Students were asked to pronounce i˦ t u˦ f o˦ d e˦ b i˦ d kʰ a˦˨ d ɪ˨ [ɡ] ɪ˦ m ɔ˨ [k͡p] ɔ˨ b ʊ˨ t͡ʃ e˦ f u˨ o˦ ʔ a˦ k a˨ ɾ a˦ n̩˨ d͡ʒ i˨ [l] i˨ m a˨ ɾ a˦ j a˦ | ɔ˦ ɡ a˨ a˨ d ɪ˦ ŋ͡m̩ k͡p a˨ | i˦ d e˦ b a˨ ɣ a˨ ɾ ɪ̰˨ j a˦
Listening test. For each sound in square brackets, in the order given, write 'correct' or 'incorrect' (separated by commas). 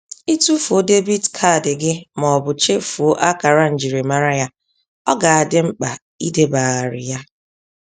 correct, incorrect, incorrect